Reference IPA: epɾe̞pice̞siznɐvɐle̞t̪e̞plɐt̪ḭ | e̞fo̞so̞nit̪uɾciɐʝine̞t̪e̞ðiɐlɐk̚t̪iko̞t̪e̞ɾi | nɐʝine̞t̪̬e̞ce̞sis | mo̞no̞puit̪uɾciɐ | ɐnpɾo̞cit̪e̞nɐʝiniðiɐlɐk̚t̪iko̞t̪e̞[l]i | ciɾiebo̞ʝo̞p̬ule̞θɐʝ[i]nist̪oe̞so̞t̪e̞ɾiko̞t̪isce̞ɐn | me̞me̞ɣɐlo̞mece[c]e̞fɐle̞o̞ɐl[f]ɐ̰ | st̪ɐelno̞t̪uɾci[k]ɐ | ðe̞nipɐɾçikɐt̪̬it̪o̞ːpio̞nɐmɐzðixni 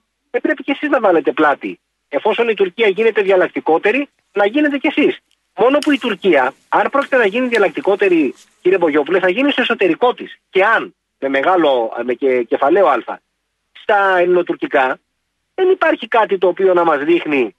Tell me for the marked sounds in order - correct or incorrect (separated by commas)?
incorrect, correct, correct, correct, correct